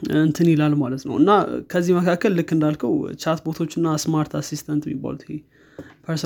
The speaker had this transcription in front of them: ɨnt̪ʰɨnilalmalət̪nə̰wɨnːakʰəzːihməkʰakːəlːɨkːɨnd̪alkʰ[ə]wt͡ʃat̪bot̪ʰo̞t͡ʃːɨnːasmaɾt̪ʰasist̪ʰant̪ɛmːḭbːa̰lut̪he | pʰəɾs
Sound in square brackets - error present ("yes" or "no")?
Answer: no